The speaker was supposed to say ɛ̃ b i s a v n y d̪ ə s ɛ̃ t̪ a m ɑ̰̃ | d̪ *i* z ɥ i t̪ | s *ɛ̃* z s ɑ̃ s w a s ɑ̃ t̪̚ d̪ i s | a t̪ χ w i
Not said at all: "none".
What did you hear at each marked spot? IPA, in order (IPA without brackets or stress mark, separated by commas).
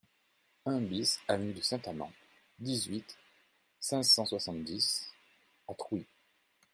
i, ɛ̃